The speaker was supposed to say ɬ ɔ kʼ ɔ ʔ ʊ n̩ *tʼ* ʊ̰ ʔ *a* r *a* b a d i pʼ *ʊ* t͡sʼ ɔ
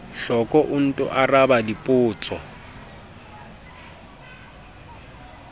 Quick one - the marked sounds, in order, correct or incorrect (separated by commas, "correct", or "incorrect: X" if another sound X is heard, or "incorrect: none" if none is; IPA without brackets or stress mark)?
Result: correct, correct, correct, incorrect: ʊː